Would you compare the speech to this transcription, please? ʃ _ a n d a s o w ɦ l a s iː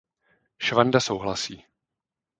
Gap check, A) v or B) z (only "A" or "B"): A